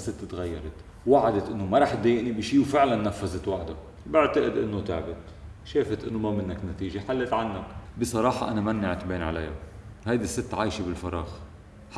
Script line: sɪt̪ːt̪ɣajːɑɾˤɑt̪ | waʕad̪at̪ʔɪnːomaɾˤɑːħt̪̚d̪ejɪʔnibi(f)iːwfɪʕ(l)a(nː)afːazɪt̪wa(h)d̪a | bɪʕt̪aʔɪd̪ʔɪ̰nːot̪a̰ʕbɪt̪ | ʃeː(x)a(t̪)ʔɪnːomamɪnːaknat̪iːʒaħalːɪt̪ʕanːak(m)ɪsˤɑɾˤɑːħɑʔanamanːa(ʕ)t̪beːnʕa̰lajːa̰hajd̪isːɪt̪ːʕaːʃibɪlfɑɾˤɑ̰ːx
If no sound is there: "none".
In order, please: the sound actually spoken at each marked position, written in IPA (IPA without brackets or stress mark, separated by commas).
ʃ, l, nː, ħ, f, t̪, b, ʕ